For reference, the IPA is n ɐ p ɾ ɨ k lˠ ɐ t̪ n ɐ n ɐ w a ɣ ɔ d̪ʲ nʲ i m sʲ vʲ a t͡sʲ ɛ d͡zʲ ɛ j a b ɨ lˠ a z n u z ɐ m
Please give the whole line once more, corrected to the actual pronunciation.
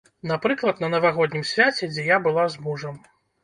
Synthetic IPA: n a p ɾ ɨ k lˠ ɐ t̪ n ɐ n ɐ v a ɣ ɔ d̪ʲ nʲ i m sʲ vʲ a t͡sʲ ɛ d͡zʲ ɛ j a b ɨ lˠ a z m u ʐ ɐ m

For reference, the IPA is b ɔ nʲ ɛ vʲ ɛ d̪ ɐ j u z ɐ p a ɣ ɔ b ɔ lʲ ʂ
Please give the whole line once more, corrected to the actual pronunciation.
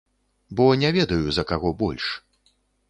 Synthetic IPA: b ɔ nʲ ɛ vʲ ɛ d̪ ɐ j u z ɐ k a ɣ ɔ b ɔ lʲ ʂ

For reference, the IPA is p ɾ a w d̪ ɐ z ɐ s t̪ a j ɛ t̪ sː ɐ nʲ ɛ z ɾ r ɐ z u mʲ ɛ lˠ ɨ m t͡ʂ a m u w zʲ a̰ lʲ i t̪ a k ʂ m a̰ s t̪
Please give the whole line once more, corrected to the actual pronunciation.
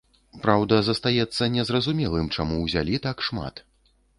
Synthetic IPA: p ɾ a w d̪ ɐ z ɐ s t̪ a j ɛ t̪ sː ɐ nʲ ɛ z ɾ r ɐ z u mʲ ɛ lˠ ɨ m t͡ʂ a m u w zʲ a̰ lʲ i t̪ a k ʂ m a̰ t̪

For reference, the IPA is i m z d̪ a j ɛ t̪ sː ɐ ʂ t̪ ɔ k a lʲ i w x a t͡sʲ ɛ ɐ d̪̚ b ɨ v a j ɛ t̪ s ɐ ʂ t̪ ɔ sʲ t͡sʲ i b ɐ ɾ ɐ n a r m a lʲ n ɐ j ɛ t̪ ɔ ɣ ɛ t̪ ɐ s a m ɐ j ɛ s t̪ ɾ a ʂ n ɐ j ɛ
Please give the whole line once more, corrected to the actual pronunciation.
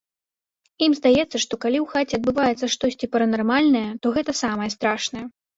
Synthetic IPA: i m z d̪ a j ɛ t̪ sː ɐ ʂ t̪ ɔ k a lʲ i w x a t͡sʲ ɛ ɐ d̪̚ b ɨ v a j ɛ t̪ s ɐ ʂ t̪ ɔ sʲ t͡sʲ i p ɐ ɾ ɐ n a r m a lʲ n ɐ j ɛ t̪ ɔ ɣ ɛ t̪ ɐ s a m ɐ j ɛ s t̪ ɾ a ʂ n ɐ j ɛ

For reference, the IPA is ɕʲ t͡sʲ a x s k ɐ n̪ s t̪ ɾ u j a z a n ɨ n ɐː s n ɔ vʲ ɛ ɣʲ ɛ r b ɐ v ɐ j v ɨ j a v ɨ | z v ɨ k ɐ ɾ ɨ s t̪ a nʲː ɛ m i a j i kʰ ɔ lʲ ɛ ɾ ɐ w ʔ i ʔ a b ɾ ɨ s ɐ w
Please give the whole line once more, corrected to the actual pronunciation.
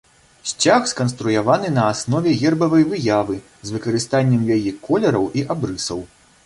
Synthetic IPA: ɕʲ t͡sʲ a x s k ɐ n̪ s t̪ ɾ u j a v a n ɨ n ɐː s n ɔ vʲ ɛ ɣʲ ɛ r b ɐ v ɐ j v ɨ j a v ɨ | z v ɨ k ɐ ɾ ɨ s t̪ a nʲː ɛ m j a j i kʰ ɔ lʲ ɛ ɾ ɐ w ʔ i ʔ a b ɾ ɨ s ɐ w

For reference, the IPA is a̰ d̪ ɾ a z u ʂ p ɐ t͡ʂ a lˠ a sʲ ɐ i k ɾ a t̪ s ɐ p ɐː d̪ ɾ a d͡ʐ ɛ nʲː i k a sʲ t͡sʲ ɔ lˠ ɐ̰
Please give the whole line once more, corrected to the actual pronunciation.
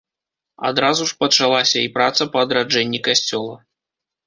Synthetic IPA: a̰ d̪ ɾ a z u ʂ p ɐ t͡ʂ a lˠ a sʲ ɐ i p ɾ a t̪ s ɐ p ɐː d̪ ɾ a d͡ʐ ɛ nʲː i k a sʲ t͡sʲ ɔ lˠ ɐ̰

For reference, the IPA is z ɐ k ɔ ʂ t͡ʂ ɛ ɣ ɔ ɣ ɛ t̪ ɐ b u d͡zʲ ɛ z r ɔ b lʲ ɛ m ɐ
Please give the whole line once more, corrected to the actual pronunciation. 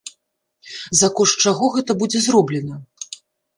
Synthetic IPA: z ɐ k ɔ ʂ t͡ʂ a ɣ ɔ ɣ ɛ t̪ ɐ b u d͡zʲ ɛ z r ɔ b lʲ ɛ n ɐ

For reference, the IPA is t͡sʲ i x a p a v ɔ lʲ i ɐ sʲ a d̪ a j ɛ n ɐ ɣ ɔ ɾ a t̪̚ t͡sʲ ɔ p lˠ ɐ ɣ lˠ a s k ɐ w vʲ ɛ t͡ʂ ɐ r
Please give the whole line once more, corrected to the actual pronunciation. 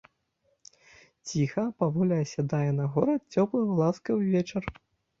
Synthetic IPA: t͡sʲ i x ɐ p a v ɔ lʲ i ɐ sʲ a d̪ a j ɛ n ɐ ɣ ɔ ɾ ɐ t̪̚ t͡sʲ ɔ p lˠ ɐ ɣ lˠ a s k ɐ w vʲ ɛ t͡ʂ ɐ r

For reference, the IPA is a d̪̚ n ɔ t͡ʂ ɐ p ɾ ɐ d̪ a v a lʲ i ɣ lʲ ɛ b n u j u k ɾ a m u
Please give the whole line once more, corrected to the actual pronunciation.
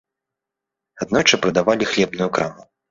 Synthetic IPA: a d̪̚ n ɔ t͡ʂ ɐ p ɾ ɐ d̪ a v a lʲ i x lʲ ɛ b n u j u k ɾ a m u

